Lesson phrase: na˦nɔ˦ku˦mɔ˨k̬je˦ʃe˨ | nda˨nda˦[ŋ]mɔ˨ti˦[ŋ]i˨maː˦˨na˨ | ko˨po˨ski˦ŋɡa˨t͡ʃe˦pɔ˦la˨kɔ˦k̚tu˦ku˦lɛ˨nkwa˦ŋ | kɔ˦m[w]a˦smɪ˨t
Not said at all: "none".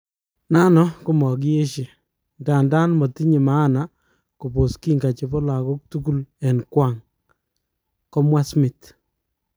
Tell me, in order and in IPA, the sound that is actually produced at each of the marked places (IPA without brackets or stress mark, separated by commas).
n, ɲ, w